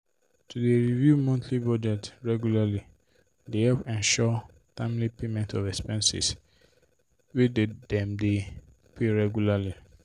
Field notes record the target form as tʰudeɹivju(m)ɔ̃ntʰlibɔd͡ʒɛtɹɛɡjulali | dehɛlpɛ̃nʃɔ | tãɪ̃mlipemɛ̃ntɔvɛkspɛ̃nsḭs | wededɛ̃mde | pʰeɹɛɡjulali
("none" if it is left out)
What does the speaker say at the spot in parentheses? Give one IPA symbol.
m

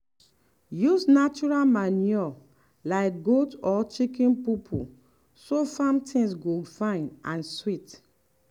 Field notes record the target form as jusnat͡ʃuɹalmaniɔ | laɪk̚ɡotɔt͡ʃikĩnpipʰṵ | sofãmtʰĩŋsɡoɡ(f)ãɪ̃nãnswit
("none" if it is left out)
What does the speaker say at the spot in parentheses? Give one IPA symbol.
f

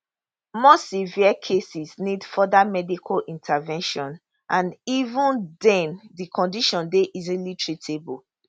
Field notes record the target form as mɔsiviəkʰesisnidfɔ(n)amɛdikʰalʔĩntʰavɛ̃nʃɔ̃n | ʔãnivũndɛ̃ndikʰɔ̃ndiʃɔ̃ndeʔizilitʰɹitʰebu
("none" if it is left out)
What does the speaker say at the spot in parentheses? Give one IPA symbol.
d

